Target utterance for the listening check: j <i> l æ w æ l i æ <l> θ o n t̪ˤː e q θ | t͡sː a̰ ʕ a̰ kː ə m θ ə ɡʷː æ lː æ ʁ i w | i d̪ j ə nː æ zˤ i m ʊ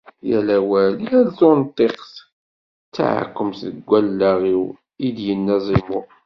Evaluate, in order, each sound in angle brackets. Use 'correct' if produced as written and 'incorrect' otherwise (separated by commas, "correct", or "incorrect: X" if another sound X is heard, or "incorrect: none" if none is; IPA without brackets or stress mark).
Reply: incorrect: æ, correct